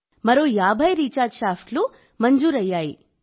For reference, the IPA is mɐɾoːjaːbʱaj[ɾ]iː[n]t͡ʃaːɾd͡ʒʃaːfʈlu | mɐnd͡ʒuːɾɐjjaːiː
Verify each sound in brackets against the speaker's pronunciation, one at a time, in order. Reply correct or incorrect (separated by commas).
correct, incorrect